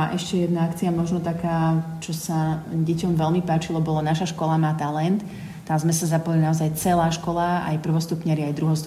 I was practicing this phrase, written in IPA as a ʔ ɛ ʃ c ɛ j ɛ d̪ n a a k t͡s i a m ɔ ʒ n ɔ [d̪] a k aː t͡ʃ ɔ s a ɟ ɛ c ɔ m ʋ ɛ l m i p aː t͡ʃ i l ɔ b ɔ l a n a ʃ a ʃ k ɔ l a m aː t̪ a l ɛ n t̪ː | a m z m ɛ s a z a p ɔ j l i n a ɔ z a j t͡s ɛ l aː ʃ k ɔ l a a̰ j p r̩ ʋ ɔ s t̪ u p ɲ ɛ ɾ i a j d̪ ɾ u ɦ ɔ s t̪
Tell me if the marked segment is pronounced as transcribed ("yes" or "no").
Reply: no